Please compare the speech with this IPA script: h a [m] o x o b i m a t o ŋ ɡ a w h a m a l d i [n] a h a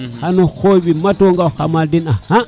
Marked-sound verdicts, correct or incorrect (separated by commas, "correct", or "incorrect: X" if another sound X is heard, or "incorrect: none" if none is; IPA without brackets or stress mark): incorrect: n, correct